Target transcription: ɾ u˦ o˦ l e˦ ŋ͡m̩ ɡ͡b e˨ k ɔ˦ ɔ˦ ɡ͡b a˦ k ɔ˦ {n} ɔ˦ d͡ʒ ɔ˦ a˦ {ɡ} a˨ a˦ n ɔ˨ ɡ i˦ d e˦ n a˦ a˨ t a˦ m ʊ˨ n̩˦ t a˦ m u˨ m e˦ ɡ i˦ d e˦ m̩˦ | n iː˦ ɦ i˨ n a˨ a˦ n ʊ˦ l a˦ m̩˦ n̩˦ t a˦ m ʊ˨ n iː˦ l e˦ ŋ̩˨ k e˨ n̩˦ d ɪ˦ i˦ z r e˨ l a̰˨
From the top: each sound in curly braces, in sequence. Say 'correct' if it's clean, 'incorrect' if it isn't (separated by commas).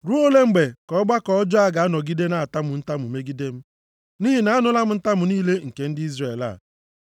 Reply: incorrect, correct